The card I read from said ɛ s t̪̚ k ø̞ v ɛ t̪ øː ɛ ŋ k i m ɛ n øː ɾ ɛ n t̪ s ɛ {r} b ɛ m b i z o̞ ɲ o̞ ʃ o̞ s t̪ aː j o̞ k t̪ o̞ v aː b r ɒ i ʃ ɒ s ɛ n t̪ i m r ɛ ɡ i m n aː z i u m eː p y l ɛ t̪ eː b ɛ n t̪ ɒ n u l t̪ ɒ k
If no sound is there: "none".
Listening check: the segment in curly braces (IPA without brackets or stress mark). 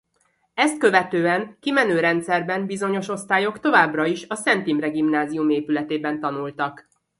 r